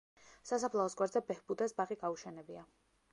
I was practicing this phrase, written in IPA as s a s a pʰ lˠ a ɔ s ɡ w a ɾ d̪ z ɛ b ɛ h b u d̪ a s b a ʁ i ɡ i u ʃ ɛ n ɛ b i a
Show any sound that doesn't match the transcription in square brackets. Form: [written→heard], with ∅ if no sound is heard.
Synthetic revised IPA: s a s a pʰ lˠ a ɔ s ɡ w a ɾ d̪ z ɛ b ɛ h b u d̪ a s b a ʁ i ɡ [i→a] u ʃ ɛ n ɛ b i a